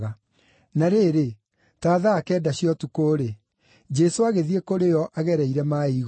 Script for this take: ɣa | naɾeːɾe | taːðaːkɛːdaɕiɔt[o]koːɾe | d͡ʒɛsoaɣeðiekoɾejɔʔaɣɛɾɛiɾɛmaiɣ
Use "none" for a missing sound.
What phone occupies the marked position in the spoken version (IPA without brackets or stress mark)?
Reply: u